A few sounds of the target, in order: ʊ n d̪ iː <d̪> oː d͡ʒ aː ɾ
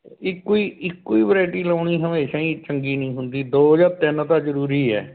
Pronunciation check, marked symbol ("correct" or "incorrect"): correct